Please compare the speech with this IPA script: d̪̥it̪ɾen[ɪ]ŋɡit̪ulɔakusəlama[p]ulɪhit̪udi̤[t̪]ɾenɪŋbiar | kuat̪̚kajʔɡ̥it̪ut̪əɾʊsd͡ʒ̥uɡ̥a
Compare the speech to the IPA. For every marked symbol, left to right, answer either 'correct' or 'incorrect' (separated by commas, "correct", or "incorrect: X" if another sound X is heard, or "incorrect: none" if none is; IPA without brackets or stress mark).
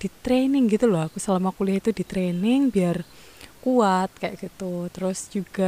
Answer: correct, incorrect: k, correct